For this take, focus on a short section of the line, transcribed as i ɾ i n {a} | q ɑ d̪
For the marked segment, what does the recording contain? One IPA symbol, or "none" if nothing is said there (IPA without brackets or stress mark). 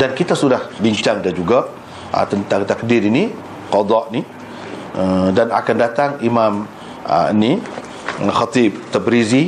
i